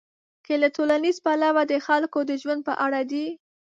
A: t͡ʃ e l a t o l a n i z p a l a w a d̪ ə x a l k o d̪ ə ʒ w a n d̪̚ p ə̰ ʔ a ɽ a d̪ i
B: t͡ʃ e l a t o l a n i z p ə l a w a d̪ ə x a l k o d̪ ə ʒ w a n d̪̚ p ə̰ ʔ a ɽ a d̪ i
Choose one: A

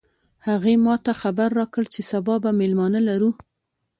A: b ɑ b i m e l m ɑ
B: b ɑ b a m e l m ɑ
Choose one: B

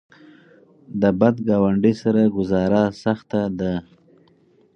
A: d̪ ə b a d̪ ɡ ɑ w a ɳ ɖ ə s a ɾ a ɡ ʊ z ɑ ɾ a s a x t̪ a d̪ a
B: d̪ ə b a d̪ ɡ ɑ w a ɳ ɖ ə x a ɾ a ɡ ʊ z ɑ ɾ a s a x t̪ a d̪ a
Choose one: A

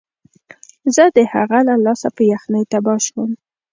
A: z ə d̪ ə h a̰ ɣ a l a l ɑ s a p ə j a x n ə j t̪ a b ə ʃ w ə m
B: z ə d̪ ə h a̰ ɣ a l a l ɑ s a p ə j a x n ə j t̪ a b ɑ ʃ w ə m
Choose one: B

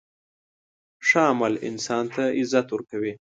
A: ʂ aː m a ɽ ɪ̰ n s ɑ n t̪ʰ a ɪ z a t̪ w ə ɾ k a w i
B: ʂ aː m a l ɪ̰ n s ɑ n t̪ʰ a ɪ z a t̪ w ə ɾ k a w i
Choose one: B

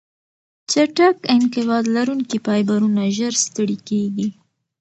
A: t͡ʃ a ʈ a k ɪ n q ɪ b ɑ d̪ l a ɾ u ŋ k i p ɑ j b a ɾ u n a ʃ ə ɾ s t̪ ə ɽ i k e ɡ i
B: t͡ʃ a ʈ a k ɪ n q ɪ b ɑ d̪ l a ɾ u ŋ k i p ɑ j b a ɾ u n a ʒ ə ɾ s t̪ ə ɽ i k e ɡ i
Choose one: B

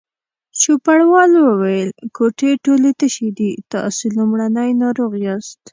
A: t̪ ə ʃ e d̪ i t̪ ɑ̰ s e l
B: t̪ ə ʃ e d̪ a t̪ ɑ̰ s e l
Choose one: A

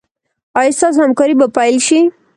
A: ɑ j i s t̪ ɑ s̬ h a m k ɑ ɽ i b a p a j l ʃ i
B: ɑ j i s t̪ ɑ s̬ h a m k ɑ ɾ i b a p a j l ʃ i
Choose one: B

